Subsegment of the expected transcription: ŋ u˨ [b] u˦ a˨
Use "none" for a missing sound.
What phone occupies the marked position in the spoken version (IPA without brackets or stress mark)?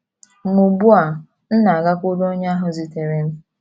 b